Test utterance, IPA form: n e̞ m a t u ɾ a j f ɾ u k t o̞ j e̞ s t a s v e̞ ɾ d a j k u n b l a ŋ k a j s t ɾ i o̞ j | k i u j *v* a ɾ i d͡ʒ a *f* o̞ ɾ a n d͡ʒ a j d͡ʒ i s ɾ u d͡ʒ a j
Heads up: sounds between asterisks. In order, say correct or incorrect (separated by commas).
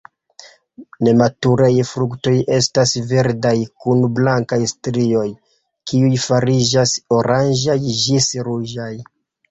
incorrect, incorrect